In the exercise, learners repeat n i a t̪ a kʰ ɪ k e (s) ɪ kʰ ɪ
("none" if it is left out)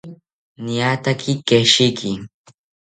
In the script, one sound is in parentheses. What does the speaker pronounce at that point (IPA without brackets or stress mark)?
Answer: ʃ